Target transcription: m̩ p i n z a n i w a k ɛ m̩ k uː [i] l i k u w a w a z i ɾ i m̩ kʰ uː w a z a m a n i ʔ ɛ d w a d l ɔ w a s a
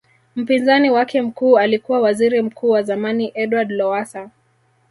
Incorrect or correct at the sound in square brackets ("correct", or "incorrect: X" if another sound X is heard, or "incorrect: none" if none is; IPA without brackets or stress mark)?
incorrect: a